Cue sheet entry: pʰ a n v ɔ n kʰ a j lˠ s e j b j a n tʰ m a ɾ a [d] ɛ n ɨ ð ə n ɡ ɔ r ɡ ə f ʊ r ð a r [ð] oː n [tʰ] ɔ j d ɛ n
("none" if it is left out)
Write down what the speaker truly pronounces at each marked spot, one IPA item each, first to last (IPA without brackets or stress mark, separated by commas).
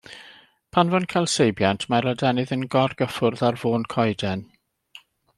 d, v, kʰ